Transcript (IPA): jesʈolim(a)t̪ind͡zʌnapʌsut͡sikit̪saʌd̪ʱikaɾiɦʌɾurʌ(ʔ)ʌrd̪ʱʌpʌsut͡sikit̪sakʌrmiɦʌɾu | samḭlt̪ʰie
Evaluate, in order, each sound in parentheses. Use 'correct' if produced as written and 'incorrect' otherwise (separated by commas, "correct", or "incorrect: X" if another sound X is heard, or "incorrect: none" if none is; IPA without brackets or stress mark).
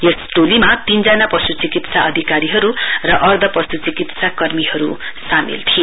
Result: correct, correct